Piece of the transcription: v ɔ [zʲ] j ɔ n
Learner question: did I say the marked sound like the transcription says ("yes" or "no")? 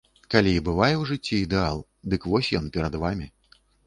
no